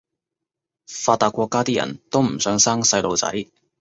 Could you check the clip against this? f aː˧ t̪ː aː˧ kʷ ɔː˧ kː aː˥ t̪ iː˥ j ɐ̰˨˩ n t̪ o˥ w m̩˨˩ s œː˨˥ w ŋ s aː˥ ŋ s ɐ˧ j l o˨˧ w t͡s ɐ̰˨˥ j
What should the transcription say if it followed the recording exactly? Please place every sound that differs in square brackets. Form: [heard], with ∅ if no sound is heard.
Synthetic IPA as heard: f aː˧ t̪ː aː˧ kʷ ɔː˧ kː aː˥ t̪ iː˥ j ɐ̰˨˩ n t̪ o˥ w m̩˨˩ s œː˨˥ [∅] ŋ s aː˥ ŋ s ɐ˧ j l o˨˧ w t͡s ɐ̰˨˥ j

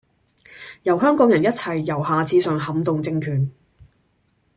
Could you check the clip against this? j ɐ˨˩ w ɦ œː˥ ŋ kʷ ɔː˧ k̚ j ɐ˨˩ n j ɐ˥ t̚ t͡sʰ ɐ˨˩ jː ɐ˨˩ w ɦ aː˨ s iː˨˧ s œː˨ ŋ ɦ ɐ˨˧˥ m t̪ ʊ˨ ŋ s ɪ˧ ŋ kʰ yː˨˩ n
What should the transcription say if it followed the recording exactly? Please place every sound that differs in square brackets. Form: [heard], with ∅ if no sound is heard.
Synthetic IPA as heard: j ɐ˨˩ w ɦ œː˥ ŋ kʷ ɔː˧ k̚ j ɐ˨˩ n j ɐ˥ t̚ t͡sʰ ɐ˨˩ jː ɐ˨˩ w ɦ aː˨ [t͡s] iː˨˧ s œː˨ ŋ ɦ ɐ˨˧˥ m t̪ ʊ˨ ŋ [t͡s] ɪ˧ ŋ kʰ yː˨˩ n

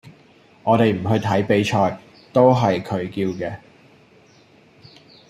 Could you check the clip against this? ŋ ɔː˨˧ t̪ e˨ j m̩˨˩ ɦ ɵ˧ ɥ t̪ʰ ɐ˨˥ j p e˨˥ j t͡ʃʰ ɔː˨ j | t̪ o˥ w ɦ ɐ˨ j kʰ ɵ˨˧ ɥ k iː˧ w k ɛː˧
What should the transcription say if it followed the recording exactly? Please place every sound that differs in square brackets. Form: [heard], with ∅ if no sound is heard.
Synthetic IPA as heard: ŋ ɔː˨˧ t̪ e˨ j m̩˨˩ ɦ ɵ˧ ɥ t̪ʰ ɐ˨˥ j p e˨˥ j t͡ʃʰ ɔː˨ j | t̪ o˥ w ɦ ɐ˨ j kʰ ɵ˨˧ ɥ k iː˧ w k ɛː˧

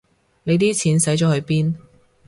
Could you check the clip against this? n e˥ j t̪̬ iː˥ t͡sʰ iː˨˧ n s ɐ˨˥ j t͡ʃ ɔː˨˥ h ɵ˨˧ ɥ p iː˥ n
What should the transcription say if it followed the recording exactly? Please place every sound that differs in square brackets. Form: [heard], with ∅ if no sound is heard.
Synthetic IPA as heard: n [e˨˧] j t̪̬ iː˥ t͡sʰ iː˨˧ n s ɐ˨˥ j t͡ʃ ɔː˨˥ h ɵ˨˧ ɥ p iː˥ n

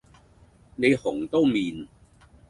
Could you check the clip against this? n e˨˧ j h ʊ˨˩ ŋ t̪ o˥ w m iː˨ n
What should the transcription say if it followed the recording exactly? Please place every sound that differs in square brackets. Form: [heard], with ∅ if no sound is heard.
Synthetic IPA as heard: n e˨˧ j h ʊ˨˩ ŋ t̪ o˥ w m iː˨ n

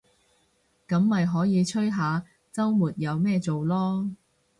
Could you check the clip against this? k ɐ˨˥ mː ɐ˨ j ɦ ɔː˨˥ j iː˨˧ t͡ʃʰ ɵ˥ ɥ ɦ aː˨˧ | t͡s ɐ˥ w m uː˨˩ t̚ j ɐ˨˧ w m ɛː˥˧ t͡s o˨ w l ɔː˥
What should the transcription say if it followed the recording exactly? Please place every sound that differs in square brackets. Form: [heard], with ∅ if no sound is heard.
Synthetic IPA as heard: k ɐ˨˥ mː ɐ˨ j ɦ ɔː˨˥ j iː˨˧ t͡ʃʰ ɵ˥ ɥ ɦ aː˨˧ | t͡s ɐ˥ w m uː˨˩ t̚ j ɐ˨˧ w m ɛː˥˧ t͡s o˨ w l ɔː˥

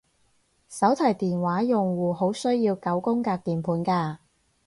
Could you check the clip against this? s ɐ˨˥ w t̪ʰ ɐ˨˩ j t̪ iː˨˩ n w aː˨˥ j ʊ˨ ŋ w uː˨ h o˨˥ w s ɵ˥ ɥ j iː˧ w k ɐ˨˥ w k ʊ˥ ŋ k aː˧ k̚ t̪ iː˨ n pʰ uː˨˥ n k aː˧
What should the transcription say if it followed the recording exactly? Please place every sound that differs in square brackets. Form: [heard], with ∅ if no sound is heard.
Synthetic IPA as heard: s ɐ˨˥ w t̪ʰ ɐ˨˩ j t̪ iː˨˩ n w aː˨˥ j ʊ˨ ŋ w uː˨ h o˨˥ w s ɵ˥ ɥ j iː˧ w k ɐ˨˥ w k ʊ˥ ŋ k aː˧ k̚ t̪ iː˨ n pʰ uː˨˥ n k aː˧

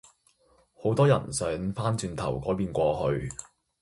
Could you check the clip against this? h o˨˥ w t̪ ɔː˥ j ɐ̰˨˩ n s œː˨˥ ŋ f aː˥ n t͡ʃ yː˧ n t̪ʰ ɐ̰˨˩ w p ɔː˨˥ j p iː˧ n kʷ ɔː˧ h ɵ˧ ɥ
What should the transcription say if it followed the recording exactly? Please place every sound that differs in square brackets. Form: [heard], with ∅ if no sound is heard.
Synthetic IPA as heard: h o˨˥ w t̪ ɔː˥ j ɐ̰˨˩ n s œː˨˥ ŋ f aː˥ n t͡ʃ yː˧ n t̪ʰ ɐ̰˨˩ w [k] ɔː˨˥ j p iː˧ n kʷ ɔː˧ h ɵ˧ ɥ

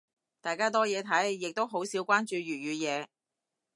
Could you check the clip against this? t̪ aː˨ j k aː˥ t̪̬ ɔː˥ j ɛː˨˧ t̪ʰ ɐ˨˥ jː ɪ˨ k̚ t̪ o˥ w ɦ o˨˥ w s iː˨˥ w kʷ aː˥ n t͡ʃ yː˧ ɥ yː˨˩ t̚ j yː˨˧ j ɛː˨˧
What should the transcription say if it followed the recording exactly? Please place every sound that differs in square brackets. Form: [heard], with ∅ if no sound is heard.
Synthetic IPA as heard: t̪ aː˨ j k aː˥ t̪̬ ɔː˥ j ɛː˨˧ t̪ʰ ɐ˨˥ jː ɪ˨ k̚ t̪ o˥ w ɦ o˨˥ w s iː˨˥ w kʷ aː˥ n t͡ʃ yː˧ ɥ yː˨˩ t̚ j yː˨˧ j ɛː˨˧

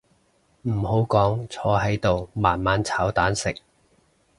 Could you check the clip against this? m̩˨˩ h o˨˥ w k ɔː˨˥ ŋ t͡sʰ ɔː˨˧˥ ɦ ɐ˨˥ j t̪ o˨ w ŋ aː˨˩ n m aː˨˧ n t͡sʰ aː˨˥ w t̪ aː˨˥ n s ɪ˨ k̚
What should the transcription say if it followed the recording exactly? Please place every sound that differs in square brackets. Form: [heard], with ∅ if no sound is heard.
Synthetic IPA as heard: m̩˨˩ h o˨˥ w k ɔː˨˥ ŋ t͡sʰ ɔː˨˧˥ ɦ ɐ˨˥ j t̪ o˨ w [m] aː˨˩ n m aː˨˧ n t͡sʰ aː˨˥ w t̪ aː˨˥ n s ɪ˨ k̚

